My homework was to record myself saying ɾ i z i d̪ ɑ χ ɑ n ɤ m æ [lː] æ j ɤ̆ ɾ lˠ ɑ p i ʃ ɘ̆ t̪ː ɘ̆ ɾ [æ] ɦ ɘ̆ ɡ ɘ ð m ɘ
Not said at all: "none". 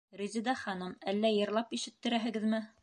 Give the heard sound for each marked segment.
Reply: lː, æ

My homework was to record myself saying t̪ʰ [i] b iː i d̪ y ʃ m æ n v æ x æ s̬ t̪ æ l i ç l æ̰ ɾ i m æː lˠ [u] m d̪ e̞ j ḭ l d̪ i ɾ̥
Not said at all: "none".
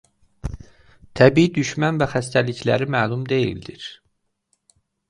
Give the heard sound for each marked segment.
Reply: æ, u

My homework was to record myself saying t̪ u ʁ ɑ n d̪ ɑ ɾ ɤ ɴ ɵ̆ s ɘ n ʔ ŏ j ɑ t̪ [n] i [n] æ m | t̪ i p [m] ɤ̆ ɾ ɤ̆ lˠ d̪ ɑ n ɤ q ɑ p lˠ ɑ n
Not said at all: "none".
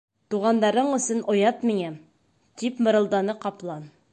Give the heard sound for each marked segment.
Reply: m, ŋ, m

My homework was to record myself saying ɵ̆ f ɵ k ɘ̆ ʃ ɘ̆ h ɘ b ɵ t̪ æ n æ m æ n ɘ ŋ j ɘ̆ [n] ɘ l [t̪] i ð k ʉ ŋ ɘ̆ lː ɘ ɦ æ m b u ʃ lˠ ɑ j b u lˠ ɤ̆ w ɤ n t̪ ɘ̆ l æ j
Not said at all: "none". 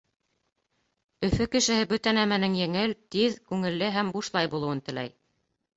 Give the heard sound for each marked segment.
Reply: ŋ, t̪

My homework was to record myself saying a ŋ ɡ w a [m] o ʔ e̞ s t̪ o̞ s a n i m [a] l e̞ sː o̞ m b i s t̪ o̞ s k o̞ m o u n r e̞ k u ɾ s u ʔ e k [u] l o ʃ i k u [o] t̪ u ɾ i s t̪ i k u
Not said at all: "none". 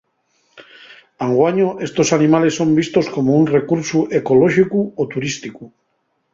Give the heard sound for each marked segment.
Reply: ɲ, a, o, o

